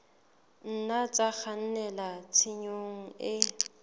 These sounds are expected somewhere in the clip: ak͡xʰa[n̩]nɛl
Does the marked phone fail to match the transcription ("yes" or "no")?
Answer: no